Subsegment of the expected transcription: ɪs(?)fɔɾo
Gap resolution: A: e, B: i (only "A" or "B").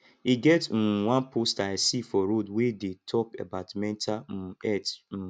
B